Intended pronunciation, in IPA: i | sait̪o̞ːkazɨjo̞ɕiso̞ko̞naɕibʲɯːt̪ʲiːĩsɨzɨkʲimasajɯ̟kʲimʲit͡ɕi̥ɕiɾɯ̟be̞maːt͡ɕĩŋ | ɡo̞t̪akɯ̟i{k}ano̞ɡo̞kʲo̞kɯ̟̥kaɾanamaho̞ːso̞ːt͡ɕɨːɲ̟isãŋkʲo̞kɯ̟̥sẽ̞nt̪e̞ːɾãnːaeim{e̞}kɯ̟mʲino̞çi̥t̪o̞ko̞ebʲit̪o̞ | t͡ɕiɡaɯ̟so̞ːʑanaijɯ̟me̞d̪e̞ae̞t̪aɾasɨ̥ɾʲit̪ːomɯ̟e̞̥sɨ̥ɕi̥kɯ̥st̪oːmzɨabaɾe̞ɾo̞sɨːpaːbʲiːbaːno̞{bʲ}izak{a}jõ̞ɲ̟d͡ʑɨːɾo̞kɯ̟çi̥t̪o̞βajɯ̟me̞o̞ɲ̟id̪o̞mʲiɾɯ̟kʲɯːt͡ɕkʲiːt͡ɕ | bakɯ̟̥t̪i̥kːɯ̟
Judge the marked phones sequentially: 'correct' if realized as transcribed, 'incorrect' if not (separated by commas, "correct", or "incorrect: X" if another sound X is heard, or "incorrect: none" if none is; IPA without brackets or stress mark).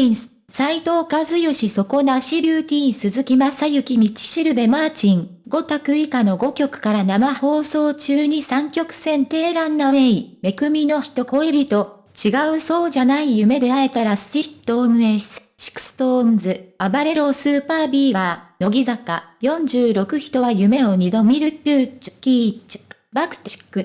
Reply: correct, correct, incorrect: ɡʲ, correct